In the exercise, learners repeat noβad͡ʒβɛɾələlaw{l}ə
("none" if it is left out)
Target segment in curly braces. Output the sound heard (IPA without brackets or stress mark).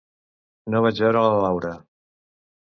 ɾ